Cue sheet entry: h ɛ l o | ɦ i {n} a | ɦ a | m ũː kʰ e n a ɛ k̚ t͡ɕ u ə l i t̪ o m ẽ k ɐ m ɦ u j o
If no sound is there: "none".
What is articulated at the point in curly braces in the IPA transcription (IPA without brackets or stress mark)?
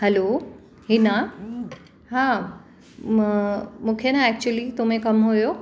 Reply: n